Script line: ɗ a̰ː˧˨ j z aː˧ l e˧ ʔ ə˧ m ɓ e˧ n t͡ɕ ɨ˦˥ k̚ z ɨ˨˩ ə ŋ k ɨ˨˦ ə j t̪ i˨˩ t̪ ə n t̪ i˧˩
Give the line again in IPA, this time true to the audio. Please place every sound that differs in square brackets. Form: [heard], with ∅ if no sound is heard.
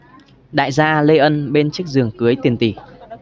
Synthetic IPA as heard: ɗ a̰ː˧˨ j z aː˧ l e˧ ʔ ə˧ [n] ɓ e˧ n t͡ɕ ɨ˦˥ k̚ z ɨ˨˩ ə ŋ k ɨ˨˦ ə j t̪ i˨˩ [∅] ə n t̪ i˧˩